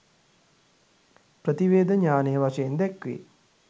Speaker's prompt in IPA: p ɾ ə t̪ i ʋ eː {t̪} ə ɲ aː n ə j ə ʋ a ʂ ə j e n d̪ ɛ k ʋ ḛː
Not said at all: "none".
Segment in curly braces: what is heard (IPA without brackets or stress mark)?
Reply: d̪